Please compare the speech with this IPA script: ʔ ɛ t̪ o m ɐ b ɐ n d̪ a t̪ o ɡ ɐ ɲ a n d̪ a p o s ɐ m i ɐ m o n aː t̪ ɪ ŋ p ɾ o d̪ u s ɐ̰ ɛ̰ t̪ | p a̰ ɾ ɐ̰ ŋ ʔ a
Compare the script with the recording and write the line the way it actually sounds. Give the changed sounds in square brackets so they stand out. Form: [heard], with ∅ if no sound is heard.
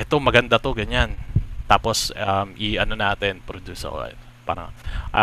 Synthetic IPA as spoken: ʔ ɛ t̪ o m ɐ [ɡ] ɐ n d̪ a t̪ o ɡ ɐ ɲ a n [t̪] a p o s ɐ m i ɐ [n] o n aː t̪ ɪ [n] p ɾ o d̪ u s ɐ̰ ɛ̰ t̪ | p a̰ ɾ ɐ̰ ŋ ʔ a